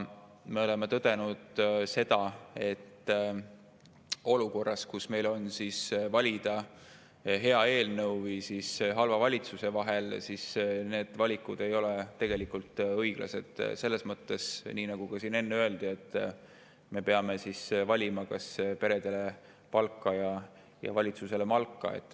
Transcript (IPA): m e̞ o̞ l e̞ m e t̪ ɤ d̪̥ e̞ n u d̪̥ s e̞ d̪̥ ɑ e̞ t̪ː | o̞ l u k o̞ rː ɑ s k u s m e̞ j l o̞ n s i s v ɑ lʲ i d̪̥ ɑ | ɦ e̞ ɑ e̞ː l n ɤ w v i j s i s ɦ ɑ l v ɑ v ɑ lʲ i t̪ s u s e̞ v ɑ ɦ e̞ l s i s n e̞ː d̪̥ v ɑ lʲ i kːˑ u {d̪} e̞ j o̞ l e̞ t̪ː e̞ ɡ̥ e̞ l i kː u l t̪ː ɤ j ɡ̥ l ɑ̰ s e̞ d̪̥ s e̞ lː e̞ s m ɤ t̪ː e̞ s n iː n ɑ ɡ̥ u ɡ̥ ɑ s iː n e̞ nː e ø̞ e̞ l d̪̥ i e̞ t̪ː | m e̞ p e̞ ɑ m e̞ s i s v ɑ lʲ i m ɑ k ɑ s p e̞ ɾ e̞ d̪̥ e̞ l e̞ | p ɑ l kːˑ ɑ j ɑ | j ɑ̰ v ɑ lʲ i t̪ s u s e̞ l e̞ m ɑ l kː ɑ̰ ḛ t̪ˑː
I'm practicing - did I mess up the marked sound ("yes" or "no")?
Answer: no